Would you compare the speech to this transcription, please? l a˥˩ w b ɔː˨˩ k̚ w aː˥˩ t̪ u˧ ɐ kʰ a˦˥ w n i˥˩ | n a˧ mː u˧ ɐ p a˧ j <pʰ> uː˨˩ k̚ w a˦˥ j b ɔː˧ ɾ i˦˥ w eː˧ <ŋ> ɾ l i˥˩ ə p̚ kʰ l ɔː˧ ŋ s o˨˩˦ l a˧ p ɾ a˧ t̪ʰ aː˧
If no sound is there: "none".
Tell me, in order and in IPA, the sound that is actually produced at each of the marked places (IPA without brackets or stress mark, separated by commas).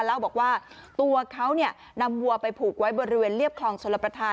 pʰ, n